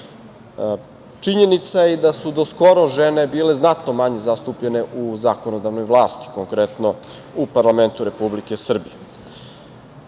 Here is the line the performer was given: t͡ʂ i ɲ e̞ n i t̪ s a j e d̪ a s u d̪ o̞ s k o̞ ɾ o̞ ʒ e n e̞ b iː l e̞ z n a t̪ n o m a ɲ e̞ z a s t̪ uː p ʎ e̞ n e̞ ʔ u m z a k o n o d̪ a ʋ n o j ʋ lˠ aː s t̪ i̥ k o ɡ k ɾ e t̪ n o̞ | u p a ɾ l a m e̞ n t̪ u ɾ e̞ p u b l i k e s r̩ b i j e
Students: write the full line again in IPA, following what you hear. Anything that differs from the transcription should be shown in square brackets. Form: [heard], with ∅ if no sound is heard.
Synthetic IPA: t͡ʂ i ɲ e̞ n i t̪ s a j e d̪ a s u d̪ o̞ s k o̞ ɾ o̞ ʒ e n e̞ b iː l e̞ z n a t̪ n o m a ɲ e̞ z a s t̪ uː p ʎ e̞ n e̞ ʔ u [∅] z a k o n o d̪ a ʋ n o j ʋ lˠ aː s t̪ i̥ k o [ŋ] k ɾ e t̪ n o̞ | u p a ɾ l a m e̞ n t̪ u ɾ e̞ p u b l i k e s r̩ b i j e